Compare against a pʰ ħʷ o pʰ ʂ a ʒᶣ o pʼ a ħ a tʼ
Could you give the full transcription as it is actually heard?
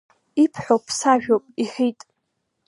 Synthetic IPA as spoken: i pʰ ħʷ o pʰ s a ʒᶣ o pʼ i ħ i tʼ